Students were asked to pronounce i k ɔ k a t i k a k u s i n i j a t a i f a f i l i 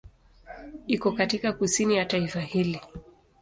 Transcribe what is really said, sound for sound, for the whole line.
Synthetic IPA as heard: i k ɔ k a t i k a k u s i n i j a t a i f a h i l i